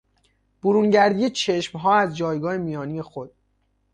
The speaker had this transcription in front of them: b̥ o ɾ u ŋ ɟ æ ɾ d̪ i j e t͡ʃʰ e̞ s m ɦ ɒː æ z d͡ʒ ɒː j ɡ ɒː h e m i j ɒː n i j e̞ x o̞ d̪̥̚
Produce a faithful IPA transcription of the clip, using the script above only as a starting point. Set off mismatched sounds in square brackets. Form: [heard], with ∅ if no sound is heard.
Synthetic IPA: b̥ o ɾ u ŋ ɟ æ ɾ d̪ i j e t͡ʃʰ e̞ [ʃ] m ɦ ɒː æ z d͡ʒ ɒː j ɡ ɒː h e m i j ɒː n i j e̞ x o̞ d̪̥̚